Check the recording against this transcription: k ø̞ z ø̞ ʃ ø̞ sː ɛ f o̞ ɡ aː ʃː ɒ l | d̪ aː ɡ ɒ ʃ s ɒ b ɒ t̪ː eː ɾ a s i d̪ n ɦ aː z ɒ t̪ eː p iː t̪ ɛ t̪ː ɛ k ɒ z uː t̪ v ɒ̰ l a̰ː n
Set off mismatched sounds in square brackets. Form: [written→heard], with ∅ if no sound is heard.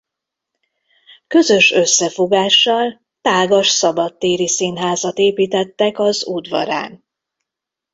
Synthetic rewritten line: k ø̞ z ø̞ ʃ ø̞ sː ɛ f o̞ ɡ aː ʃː ɒ l | [d̪→t̪] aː ɡ ɒ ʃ s ɒ b ɒ t̪ː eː ɾ [a→i] s i [d̪→∅] n ɦ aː z ɒ t̪ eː p iː t̪ ɛ t̪ː ɛ k ɒ z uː [t̪→d̪] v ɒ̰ [l→ɾ] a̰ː n